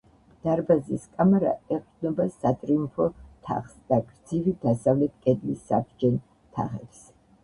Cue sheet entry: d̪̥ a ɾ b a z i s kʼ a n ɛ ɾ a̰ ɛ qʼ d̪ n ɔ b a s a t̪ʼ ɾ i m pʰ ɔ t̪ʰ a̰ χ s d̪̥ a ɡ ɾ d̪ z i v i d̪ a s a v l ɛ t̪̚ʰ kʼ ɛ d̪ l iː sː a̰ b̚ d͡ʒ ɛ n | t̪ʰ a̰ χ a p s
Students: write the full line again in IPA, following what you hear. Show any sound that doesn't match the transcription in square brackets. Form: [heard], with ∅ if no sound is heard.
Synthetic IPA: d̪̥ a ɾ b a z i s kʼ a [m] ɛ ɾ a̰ ɛ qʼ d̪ n ɔ b a s a t̪ʼ ɾ i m pʰ ɔ t̪ʰ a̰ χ s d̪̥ a ɡ ɾ d̪ z i v i d̪ a s a v l ɛ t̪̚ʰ kʼ ɛ d̪ l [i] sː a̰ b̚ d͡ʒ ɛ n | t̪ʰ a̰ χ [ɛ] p s

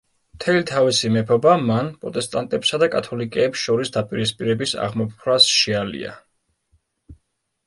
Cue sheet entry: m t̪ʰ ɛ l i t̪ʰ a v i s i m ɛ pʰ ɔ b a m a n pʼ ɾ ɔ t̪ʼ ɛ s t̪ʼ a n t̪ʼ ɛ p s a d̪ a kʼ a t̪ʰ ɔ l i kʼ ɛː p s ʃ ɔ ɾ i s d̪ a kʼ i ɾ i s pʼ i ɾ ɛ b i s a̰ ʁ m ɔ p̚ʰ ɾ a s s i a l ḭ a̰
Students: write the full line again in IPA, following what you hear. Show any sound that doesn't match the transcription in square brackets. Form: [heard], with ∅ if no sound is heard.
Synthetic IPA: m t̪ʰ ɛ l i t̪ʰ a v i s i m ɛ pʰ ɔ b a m a n pʼ ɾ ɔ t̪ʼ ɛ s t̪ʼ a n t̪ʼ ɛ p s a d̪ a kʼ a t̪ʰ ɔ l i kʼ ɛː p s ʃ ɔ ɾ i s d̪ a [pʼ] i ɾ i s pʼ i ɾ ɛ b i s a̰ ʁ m ɔ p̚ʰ ɾ a s [ʃ] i a l ḭ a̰

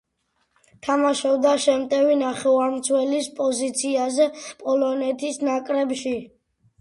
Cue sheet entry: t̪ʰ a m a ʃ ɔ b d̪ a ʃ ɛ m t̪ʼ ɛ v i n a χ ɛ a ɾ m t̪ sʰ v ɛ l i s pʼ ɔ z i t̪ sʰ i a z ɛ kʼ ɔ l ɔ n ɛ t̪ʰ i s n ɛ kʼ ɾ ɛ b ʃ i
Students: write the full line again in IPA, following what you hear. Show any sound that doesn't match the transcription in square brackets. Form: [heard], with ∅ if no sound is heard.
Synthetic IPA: t̪ʰ a m a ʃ ɔ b d̪ a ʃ ɛ m t̪ʼ ɛ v i n a χ ɛ a ɾ m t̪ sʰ [w] ɛ l i s pʼ ɔ z i t̪ sʰ i a z ɛ [pʼ] ɔ l ɔ n ɛ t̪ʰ i s n [a] kʼ ɾ ɛ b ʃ i

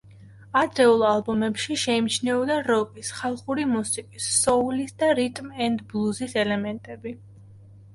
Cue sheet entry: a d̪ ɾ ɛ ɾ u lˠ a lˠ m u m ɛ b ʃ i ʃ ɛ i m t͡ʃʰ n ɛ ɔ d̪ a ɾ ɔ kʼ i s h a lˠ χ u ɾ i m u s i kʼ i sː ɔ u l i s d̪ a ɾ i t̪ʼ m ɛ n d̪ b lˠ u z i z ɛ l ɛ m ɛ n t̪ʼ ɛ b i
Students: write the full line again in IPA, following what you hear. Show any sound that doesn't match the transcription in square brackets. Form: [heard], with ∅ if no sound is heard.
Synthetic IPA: a d̪ ɾ ɛ [∅] u lˠ a lˠ [b] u m ɛ [p] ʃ i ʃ ɛ i m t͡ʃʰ n ɛ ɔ d̪ a ɾ ɔ kʼ i s [χ] a lˠ χ u ɾ i m u s i kʼ i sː ɔ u l i s d̪ a ɾ i t̪ʼ m ɛ n d̪ b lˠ u z i [s] ɛ l ɛ m ɛ n t̪ʼ ɛ b i

